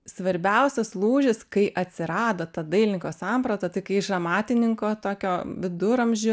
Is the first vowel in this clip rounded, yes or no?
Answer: no